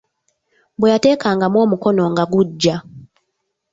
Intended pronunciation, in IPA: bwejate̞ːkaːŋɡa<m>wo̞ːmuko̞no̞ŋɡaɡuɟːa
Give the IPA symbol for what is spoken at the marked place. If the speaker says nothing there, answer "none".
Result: m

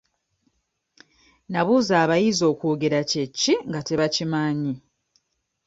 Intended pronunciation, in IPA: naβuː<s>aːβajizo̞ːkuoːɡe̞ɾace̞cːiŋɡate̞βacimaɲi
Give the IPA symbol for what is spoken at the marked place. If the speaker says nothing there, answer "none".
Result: z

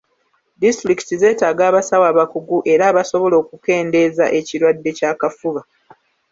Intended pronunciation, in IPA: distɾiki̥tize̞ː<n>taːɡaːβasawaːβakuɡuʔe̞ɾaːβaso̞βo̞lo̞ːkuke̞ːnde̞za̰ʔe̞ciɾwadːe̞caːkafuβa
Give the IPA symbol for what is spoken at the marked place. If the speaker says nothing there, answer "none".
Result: none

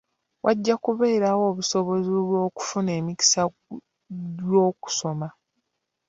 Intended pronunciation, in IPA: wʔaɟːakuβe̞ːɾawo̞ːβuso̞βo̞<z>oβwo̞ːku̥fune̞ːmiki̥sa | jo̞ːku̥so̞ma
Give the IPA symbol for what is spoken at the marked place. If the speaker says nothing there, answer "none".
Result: z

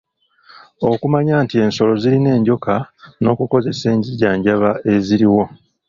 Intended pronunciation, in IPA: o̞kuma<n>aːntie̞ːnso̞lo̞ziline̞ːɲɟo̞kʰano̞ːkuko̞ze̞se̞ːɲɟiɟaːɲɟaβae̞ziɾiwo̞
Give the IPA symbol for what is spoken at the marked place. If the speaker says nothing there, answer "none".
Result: ɲ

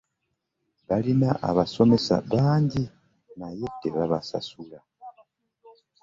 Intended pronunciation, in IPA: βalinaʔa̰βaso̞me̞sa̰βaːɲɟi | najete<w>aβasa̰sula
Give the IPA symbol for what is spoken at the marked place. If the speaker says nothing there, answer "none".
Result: β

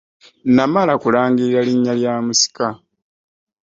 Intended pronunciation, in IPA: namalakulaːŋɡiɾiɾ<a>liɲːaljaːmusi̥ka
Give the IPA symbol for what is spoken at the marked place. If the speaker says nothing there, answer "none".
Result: a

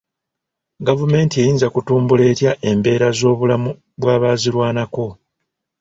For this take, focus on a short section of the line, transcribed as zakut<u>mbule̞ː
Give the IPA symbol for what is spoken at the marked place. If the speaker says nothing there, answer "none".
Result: uː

